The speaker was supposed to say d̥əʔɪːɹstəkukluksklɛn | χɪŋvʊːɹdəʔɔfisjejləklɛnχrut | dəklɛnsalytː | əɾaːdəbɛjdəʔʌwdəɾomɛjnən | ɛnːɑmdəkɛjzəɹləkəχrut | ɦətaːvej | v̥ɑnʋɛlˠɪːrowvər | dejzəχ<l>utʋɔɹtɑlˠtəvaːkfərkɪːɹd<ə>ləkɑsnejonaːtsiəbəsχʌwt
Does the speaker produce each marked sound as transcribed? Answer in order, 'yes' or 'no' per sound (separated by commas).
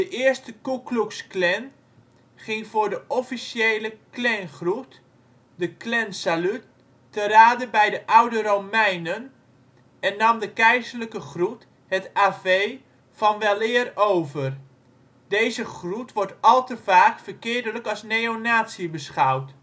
no, yes